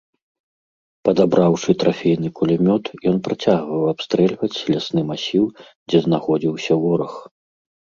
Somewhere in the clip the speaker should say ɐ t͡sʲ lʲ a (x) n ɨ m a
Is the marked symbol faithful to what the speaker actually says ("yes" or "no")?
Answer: no